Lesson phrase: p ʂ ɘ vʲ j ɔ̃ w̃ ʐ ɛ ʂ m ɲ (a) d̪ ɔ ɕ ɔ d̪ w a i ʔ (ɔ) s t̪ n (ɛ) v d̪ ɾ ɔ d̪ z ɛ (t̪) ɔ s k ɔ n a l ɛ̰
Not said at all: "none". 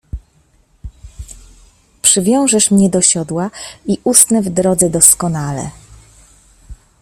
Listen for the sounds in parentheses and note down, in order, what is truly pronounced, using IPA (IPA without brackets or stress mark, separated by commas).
ɛ, u, ɛ, d̪